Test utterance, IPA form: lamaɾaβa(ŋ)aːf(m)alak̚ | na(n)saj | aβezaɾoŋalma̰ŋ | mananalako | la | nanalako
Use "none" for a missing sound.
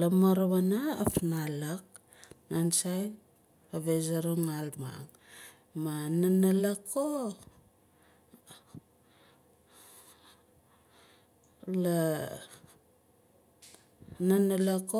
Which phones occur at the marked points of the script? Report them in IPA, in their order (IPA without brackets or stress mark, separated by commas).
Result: n, n, n